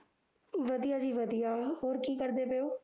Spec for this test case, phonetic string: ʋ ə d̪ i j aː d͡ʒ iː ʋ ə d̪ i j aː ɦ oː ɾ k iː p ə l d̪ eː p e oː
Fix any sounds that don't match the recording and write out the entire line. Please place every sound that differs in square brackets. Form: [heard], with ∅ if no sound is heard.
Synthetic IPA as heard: ʋ ə d̪ i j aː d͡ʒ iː ʋ ə d̪ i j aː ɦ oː ɾ k iː [k] ə [ɾ] d̪ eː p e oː